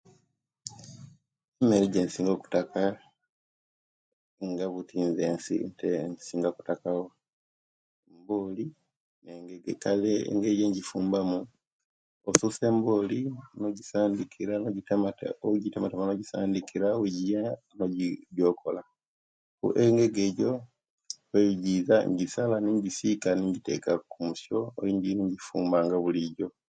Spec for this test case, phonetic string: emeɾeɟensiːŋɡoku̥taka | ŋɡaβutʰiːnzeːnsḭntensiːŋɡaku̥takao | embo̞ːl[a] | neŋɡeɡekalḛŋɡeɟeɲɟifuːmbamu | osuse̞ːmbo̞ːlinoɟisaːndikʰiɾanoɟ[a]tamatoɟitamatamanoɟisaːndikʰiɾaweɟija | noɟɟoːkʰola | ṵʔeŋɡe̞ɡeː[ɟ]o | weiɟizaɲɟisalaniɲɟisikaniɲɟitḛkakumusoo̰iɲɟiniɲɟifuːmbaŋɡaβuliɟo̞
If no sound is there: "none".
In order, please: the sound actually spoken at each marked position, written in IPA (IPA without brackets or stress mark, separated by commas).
i, i, ɟ